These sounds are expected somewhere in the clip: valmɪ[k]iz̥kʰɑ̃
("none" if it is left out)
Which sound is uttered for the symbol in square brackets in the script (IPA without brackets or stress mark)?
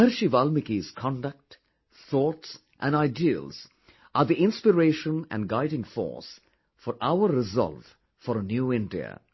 k